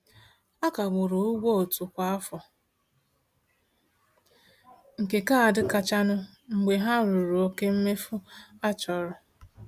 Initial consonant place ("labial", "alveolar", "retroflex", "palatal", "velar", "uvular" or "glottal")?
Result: velar